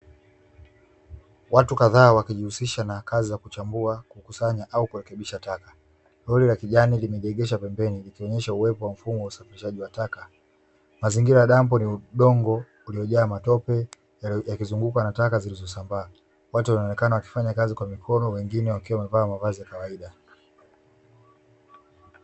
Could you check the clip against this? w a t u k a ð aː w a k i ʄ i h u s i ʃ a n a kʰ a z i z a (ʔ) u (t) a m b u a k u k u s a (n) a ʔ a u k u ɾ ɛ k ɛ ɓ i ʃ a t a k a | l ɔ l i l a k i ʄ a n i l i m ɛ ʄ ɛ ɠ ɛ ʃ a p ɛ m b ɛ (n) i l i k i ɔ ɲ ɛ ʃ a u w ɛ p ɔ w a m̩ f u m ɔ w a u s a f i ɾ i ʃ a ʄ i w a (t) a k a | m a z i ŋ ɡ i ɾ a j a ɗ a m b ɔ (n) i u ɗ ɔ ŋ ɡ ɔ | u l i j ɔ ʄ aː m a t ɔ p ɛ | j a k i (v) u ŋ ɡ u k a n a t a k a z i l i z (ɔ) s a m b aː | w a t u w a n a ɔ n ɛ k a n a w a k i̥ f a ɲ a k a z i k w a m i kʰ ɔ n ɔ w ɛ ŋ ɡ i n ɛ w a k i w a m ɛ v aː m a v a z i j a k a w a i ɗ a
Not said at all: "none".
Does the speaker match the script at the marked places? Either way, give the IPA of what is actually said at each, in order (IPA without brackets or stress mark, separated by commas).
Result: k, t͡ʃ, ɲ, n, t, n, z, ɔ